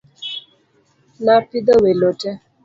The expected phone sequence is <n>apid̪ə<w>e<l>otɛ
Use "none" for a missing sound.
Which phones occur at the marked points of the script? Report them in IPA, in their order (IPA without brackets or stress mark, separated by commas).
n, w, l